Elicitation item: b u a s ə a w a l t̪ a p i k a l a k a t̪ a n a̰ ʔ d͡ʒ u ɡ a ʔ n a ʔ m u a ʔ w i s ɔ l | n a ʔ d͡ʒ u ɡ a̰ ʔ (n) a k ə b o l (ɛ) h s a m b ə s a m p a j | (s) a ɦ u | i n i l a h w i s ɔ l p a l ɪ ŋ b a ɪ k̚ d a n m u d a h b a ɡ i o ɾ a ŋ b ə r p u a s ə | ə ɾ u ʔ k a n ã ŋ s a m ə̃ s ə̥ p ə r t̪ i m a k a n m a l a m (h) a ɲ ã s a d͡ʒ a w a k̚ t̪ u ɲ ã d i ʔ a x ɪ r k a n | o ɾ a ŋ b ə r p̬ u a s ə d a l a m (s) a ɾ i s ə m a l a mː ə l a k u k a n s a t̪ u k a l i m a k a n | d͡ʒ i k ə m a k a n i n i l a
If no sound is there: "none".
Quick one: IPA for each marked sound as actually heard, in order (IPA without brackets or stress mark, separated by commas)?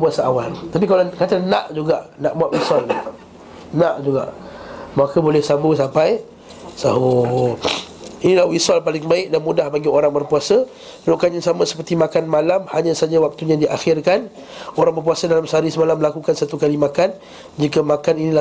m, ɛ, s, h, s